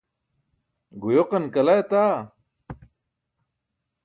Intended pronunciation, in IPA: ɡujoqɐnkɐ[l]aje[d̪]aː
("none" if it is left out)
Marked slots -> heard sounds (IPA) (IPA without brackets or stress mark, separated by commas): l, t̪